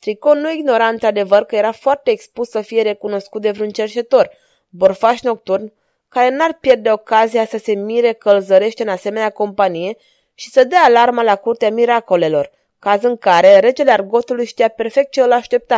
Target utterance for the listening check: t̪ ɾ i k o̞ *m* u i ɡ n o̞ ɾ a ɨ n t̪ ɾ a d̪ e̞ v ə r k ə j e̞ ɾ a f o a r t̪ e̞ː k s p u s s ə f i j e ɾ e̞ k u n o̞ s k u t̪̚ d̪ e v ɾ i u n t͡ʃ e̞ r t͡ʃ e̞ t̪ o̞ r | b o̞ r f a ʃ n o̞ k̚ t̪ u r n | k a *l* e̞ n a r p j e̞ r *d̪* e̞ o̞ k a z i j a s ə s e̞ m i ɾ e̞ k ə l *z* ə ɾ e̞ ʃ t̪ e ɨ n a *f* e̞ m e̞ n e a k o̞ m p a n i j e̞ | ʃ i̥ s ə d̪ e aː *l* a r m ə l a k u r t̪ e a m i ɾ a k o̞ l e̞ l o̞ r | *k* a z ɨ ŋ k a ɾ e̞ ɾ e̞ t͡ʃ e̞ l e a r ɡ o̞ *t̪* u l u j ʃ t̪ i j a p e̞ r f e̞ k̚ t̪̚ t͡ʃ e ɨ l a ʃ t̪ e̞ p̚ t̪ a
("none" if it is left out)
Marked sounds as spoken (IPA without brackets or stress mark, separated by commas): n, ɾ, d̪, z, s, l, k, t̪